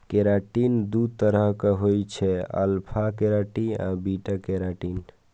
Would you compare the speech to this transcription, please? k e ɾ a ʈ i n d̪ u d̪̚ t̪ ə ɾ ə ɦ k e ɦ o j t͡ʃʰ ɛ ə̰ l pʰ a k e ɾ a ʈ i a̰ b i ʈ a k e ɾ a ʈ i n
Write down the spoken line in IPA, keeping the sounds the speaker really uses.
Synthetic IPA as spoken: k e ɾ a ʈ i n d̪ u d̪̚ t̪ ə ɾ ə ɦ k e ɦ o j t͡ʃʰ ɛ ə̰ l pʰ a k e ɾ a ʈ i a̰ b i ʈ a k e ɾ a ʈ i n